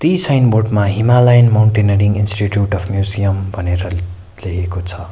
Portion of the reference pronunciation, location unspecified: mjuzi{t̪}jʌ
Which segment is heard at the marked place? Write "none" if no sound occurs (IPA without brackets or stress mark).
none